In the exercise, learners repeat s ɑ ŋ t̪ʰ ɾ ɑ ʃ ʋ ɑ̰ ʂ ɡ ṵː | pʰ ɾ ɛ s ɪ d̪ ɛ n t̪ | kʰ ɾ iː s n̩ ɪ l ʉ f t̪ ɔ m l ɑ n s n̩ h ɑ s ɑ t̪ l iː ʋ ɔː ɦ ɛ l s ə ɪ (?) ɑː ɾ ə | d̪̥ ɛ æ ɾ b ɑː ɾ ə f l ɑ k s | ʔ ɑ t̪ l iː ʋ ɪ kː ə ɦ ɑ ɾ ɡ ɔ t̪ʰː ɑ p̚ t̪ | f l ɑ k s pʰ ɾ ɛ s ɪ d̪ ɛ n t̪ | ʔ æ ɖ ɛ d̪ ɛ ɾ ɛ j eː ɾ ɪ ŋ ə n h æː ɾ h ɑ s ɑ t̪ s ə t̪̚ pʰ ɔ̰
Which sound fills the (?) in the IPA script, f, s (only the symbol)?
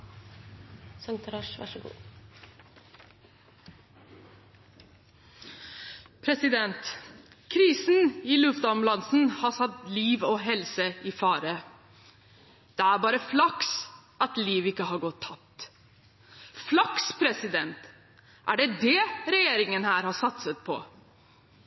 f